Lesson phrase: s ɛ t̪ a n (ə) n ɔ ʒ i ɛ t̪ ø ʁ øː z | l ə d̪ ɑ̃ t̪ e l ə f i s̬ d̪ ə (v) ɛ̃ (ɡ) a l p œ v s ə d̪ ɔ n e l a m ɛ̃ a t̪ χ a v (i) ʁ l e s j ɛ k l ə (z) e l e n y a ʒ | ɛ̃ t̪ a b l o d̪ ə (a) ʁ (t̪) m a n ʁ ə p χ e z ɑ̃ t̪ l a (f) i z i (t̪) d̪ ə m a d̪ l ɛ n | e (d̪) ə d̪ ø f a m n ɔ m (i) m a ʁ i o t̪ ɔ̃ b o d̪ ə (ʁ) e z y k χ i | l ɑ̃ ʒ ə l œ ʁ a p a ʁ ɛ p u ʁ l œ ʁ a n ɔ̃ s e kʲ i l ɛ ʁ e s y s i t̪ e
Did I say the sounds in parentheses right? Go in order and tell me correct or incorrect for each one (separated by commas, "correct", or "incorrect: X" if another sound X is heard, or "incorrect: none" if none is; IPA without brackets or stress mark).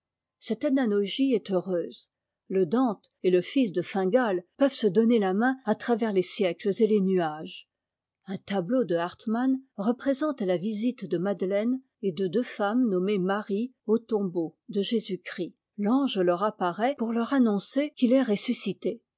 incorrect: a, incorrect: f, correct, incorrect: ɛ, correct, correct, correct, incorrect: v, correct, correct, incorrect: e, incorrect: ʒ